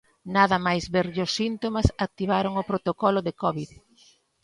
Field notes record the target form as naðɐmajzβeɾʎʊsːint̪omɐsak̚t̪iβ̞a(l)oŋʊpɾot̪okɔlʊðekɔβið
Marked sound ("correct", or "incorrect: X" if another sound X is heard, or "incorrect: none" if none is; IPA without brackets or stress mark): incorrect: ɾ